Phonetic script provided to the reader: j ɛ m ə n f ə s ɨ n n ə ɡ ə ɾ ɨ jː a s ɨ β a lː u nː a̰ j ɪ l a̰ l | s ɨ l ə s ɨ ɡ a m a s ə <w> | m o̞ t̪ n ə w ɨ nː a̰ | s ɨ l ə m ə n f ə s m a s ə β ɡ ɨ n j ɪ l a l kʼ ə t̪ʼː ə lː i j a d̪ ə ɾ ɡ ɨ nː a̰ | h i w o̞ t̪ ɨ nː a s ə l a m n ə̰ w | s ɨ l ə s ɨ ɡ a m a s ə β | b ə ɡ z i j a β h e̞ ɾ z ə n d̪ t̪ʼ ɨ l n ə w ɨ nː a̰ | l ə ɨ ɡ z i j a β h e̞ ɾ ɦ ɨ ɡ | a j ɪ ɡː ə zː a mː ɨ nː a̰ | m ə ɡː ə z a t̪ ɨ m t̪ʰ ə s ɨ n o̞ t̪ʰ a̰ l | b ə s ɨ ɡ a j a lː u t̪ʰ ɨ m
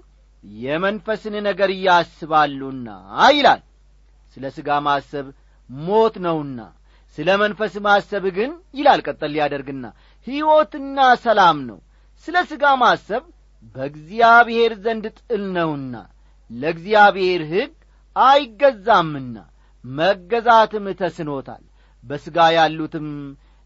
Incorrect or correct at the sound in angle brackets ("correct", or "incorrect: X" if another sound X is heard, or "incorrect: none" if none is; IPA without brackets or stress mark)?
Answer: incorrect: β